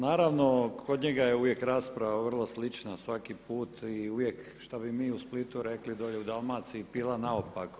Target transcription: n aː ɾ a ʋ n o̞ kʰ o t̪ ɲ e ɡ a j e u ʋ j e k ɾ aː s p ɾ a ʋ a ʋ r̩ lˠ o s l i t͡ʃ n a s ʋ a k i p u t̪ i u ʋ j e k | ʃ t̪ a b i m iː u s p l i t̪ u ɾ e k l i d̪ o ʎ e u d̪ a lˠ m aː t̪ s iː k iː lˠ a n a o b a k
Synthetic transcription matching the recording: n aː ɾ a ʋ n o̞ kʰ o d̪ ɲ e ɡ a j e u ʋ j e k ɾ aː s p ɾ a ʋ a ʋ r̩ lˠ o s l i t͡ʃ n a s ʋ a k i p uː t̪ i u ʋ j e k | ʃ t̪ a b i m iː u s p l i t̪ u ɾ e k l i d̪ o ʎ e u d̪ a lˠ m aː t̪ s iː p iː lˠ a n a o p a k